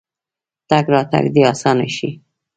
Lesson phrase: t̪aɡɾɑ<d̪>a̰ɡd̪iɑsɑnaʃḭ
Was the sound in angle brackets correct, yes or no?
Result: no